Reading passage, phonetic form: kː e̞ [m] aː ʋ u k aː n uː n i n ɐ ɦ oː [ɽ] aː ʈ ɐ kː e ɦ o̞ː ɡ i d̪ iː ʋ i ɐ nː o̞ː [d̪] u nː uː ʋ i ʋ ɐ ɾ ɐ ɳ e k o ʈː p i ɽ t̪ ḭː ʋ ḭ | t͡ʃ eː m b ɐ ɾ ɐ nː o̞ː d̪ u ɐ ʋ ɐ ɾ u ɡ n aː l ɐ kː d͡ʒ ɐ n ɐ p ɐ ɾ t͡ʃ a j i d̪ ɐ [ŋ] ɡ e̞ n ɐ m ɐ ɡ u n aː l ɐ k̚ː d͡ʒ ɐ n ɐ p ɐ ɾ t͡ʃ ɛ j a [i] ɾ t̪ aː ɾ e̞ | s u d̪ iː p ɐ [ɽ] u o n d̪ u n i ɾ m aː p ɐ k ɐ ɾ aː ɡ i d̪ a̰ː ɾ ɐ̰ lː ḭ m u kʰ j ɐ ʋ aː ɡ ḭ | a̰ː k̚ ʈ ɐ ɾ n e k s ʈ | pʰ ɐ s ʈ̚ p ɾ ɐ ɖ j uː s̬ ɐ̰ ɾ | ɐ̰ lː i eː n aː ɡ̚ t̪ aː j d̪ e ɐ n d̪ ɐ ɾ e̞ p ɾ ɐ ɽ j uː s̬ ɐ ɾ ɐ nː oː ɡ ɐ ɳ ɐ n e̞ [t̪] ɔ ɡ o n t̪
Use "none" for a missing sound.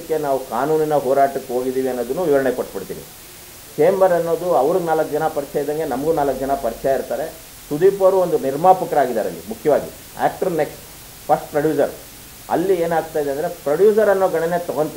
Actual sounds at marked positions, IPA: n, ɾ, d̪, ŋ, i, ɾ, t̪

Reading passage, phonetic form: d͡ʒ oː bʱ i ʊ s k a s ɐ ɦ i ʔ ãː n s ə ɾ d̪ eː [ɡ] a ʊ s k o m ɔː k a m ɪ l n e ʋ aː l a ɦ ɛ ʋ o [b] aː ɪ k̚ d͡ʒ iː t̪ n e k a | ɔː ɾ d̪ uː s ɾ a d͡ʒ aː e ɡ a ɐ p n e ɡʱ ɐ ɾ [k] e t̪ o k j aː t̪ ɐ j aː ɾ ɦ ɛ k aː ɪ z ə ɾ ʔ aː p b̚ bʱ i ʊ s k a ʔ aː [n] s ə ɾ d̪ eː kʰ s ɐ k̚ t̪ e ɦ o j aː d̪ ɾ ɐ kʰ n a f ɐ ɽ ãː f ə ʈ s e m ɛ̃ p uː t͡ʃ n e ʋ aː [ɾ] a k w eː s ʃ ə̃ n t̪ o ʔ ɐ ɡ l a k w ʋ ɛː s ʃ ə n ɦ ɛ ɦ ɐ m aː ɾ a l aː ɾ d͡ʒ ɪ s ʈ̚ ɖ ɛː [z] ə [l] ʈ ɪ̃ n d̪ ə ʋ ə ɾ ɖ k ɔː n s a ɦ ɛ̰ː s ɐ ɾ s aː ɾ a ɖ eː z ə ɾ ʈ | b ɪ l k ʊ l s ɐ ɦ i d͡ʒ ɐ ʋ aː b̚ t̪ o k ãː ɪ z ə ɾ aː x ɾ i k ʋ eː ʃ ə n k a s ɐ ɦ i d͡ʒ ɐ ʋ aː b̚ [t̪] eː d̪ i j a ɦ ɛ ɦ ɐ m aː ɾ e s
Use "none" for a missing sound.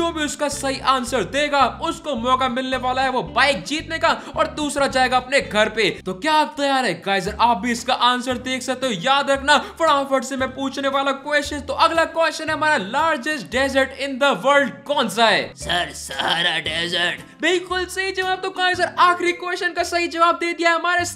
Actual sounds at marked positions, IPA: ɡ, b, p, n, l, z, ɾ, d̪

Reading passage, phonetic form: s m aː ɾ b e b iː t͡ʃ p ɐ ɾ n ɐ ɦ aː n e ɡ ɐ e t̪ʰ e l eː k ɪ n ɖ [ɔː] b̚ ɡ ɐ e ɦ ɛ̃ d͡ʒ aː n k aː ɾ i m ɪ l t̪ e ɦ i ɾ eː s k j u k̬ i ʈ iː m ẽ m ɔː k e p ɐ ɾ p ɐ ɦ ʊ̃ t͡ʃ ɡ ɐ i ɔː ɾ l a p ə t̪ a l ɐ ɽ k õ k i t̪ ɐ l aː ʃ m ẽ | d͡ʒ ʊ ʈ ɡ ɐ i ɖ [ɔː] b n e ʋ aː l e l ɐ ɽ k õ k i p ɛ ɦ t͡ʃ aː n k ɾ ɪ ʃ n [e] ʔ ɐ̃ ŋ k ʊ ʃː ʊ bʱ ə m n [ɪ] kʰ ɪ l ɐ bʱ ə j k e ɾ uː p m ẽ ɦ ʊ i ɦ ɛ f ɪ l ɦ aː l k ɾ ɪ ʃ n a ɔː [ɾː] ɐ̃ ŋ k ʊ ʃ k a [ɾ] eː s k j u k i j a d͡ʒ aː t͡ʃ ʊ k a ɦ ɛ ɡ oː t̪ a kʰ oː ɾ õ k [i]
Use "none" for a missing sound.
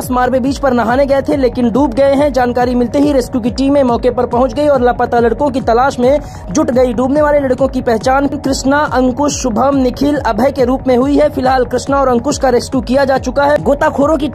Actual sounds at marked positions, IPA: uː, uː, a, ɪ, ɾ, ɾ, i

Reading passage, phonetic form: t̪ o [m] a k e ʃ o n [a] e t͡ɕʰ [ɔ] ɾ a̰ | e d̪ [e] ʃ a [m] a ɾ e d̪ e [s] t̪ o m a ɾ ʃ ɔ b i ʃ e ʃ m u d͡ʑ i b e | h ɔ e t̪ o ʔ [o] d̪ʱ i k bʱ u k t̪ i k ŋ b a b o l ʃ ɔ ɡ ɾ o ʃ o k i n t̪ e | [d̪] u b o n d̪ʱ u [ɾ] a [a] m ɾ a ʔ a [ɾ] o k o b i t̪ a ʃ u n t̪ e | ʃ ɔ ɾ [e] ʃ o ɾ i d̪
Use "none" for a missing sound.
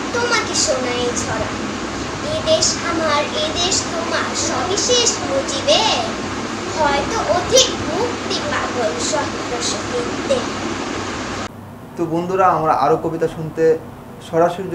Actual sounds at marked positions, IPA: m, a, ɔ, e, m, ʃ, o, t̪, ɾ, a, ɾ, a

